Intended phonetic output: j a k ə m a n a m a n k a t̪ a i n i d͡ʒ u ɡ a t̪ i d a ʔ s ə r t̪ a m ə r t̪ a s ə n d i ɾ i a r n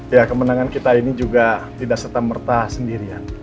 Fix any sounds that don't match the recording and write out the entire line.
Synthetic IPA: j a k ə m ə n a ŋ a n k i t̪ a i n i d͡ʒ u ɡ a t̪ i d a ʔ s ə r t̪ a m ə r t̪ a s ə n d i ɾ i a n